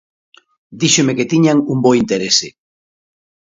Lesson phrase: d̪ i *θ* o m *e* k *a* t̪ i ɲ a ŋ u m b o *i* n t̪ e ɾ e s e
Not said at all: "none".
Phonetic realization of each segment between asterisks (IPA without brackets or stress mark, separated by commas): ʃ, e, e, i